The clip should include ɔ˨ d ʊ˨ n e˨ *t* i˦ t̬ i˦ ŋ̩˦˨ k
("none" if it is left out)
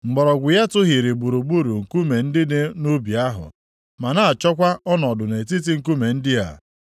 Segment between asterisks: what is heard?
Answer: t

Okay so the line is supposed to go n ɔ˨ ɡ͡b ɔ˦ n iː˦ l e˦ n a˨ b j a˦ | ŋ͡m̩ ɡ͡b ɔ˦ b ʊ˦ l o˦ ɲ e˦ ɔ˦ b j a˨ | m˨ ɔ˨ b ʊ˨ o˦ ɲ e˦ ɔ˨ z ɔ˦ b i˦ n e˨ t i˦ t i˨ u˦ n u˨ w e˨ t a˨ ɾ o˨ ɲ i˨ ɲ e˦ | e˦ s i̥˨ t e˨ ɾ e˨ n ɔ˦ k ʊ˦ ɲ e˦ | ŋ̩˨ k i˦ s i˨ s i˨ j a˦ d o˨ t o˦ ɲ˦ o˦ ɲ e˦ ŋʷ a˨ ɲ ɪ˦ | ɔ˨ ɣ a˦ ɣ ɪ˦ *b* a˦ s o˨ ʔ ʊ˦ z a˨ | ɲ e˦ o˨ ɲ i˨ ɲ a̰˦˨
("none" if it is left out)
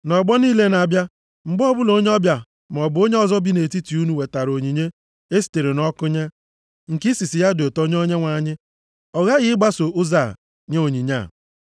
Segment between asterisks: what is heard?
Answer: ɡ͡b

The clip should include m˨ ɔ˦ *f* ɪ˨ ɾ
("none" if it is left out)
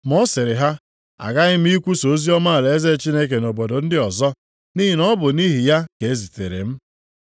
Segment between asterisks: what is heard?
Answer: s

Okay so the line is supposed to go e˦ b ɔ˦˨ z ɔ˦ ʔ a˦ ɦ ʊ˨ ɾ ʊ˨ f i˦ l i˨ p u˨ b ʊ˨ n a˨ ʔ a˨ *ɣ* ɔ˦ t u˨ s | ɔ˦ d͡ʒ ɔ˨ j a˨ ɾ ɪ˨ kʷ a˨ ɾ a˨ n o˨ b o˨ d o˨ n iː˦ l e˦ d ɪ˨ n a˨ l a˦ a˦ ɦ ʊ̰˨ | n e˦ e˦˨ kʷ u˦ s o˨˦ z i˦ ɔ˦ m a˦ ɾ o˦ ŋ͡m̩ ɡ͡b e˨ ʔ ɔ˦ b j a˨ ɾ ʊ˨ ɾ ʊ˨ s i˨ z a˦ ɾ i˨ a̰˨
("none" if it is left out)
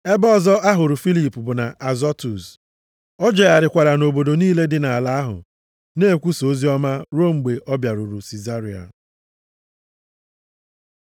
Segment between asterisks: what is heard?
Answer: z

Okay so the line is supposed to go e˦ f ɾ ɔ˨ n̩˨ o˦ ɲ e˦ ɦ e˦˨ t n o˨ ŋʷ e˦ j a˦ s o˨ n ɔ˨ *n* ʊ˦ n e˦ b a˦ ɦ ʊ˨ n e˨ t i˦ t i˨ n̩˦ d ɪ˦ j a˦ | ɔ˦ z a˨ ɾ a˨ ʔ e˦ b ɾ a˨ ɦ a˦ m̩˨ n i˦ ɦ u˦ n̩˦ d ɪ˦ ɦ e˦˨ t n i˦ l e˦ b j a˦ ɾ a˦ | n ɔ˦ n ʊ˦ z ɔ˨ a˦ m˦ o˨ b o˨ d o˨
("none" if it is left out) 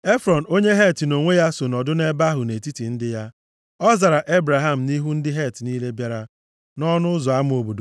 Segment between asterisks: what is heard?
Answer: d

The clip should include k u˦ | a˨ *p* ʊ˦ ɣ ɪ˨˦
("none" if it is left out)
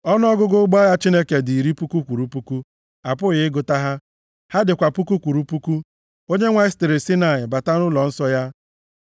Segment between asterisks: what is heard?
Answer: p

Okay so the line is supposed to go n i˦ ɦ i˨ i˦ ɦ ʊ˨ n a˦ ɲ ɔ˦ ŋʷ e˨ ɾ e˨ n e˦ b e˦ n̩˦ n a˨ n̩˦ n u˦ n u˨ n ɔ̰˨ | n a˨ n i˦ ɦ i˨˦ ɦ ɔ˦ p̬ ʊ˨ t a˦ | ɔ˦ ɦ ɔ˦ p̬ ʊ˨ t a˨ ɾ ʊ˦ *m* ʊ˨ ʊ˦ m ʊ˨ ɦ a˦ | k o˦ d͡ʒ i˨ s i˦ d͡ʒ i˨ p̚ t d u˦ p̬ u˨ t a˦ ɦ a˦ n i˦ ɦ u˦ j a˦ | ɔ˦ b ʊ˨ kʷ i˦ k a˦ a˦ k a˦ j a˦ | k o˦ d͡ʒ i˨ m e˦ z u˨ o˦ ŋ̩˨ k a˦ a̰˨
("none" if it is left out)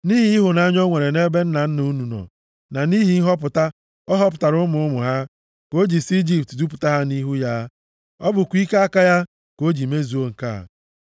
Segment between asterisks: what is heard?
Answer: m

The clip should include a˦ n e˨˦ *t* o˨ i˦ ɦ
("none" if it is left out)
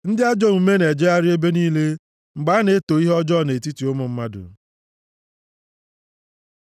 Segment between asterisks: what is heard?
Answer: t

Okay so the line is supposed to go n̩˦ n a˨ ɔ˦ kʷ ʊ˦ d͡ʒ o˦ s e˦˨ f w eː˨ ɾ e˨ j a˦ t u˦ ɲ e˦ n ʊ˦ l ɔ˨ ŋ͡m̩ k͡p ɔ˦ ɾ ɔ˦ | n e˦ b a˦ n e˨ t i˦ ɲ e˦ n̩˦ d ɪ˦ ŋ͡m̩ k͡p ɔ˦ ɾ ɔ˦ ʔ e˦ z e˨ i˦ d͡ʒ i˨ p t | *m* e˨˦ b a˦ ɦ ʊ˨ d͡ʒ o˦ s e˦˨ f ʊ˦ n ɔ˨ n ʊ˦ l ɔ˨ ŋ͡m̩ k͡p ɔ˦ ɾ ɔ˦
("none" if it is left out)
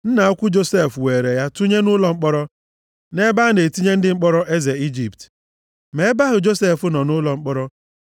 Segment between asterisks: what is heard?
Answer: m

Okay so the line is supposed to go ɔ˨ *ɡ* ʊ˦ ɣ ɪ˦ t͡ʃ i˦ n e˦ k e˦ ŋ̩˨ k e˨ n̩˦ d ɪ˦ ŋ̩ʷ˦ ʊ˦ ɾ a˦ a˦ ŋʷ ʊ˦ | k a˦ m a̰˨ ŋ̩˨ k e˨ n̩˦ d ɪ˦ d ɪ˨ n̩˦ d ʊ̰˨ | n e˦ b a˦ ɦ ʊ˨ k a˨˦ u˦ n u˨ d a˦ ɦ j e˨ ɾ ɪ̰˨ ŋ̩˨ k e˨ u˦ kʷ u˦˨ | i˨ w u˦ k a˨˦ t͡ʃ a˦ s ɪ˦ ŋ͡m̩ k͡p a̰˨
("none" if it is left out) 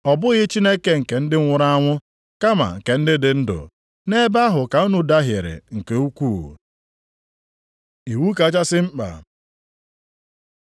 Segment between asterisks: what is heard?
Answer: b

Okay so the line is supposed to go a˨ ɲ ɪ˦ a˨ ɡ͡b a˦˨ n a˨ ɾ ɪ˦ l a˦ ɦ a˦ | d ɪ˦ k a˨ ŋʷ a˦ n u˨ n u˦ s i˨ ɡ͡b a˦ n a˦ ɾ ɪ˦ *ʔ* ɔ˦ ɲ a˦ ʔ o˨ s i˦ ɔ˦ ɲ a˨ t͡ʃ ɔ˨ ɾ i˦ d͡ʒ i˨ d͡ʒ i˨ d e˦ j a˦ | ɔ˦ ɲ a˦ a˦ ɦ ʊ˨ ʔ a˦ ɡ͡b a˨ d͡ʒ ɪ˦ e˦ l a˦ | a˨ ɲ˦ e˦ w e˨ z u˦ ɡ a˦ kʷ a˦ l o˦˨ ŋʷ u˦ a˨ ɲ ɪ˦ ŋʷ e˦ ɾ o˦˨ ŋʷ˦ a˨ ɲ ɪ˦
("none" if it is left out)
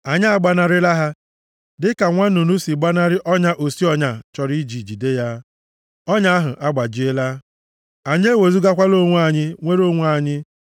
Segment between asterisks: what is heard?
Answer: ʔ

